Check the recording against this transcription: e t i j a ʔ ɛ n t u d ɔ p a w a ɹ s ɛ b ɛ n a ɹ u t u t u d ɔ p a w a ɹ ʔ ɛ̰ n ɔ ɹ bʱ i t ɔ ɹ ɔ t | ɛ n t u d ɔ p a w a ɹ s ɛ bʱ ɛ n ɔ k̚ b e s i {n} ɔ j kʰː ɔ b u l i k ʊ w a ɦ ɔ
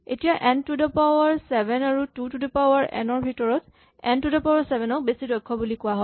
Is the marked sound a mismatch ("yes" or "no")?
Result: yes